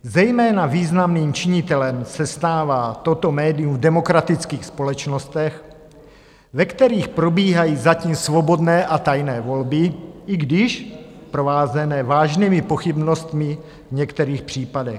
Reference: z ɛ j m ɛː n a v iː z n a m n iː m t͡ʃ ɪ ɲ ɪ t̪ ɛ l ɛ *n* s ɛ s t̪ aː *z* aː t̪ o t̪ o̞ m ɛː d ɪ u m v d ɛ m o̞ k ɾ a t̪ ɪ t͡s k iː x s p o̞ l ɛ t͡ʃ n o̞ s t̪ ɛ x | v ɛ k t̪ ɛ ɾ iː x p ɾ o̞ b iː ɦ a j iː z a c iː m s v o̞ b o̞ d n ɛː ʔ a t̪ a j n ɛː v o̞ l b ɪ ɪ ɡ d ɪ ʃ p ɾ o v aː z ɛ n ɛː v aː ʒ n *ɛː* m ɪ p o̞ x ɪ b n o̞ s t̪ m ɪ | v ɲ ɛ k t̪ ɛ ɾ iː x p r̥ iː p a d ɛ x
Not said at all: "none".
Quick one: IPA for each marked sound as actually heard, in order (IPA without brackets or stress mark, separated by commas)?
m, v, iː